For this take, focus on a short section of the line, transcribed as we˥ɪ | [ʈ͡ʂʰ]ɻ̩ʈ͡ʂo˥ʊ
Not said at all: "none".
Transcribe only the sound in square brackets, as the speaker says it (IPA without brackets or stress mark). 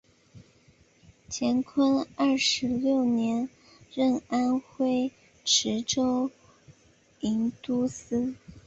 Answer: ʈ͡ʂʰ